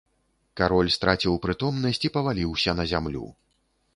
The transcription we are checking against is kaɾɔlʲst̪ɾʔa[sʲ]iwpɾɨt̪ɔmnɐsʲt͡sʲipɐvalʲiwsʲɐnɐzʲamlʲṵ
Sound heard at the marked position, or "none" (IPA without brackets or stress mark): t͡sʲ